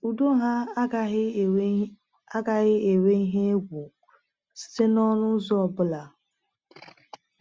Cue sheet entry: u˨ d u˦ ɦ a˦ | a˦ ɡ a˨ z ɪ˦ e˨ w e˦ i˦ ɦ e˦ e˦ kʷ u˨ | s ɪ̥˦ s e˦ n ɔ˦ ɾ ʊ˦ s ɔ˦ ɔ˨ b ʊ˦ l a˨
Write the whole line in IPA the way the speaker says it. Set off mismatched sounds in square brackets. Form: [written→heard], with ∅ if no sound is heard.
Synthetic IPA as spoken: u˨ d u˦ ɦ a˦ | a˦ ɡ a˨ [z→ɣ] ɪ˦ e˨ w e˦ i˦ ɦ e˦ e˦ [kʷ→ɡʷ] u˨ | s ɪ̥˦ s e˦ n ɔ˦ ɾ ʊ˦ [s→z] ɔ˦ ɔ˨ b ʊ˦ l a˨